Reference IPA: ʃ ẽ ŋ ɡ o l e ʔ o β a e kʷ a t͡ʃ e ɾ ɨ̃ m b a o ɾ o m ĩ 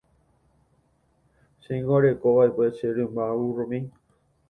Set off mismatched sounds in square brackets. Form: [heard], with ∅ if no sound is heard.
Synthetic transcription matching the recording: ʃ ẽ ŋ ɡ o [ɾ] e [k] o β a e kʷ [e] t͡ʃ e ɾ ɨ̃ m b a [u] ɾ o m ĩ